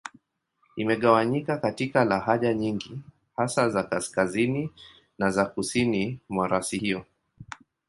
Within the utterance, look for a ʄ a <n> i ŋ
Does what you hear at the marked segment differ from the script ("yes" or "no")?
yes